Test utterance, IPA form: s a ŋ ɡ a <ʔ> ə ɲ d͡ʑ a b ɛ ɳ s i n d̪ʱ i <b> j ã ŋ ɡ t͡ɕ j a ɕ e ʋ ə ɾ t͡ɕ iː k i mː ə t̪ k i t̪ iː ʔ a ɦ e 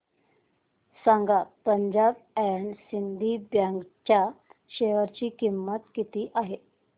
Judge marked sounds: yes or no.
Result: no, yes

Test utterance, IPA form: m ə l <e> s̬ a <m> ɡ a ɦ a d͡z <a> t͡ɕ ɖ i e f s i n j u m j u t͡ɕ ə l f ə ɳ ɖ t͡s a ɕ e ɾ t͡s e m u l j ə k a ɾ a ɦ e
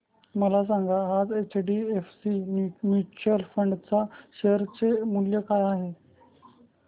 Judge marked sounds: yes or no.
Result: no, no, no

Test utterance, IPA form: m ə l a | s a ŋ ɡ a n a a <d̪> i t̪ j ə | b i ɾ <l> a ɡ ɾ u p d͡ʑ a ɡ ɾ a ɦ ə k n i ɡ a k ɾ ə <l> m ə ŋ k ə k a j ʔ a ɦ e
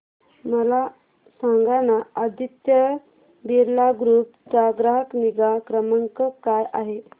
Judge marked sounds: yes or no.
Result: yes, yes, no

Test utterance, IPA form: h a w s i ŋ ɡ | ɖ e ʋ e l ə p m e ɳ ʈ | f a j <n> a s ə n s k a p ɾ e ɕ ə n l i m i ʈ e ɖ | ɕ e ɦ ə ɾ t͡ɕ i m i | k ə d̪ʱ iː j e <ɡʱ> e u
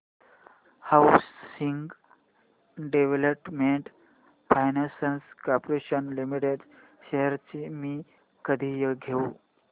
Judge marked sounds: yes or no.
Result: yes, yes

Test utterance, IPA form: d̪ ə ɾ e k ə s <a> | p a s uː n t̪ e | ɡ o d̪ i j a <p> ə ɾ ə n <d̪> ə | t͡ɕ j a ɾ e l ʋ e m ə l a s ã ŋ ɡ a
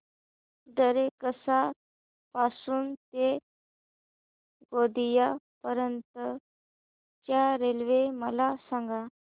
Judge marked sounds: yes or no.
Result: yes, yes, no

